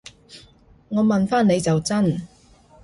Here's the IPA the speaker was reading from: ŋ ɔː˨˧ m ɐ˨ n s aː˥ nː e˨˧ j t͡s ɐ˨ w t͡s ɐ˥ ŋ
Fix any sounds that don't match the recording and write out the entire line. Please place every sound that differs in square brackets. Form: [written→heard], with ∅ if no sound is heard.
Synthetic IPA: ŋ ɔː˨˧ m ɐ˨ n [s→f] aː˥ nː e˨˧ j t͡s ɐ˨ w t͡s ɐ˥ [ŋ→n]